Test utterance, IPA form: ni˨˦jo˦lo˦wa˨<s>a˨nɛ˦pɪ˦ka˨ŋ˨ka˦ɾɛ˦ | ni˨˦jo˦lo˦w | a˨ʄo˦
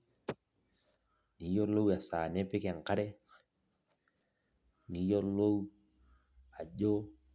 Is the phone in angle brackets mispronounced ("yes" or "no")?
no